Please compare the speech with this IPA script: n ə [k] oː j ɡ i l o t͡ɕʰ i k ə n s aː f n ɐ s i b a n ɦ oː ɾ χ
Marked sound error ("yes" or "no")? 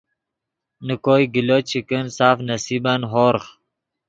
no